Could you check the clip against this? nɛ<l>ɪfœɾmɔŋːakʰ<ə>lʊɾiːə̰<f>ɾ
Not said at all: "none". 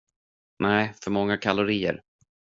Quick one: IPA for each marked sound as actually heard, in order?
none, a, none

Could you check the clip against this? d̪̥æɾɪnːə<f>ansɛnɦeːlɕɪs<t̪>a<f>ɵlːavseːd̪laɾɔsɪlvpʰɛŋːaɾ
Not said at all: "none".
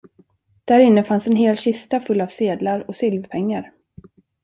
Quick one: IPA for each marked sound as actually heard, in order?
f, t̪, f

